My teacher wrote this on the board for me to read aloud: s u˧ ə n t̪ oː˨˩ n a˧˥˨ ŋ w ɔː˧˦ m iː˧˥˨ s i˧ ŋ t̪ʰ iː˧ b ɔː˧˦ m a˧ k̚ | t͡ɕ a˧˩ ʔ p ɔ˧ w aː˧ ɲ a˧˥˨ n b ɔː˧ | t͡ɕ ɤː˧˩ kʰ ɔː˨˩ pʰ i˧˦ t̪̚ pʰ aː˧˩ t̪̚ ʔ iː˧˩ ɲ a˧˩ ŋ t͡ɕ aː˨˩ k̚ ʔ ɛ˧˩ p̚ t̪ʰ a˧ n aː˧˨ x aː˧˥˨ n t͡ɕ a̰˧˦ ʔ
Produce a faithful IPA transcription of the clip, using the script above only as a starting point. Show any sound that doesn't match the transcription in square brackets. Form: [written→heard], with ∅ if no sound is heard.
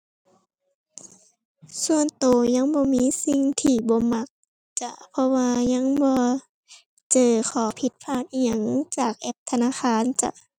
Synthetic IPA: s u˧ ə n t̪ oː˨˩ [n→ɲ] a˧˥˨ ŋ [w→b] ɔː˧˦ m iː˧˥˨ s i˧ ŋ t̪ʰ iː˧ b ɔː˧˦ m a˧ k̚ | t͡ɕ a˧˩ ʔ [p→pʰ] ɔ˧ w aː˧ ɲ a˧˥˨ [n→ŋ] b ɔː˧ | t͡ɕ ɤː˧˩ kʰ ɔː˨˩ pʰ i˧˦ t̪̚ pʰ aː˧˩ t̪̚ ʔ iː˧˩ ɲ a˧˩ ŋ t͡ɕ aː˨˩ k̚ ʔ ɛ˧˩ p̚ t̪ʰ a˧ n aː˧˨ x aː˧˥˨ n t͡ɕ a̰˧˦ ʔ